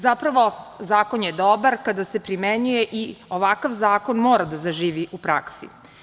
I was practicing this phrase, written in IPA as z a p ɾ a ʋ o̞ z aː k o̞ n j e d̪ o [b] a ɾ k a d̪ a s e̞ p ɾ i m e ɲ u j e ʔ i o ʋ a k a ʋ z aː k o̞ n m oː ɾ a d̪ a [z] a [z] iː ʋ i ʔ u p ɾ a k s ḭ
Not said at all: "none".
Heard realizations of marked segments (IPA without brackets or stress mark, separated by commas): b, z, ʒ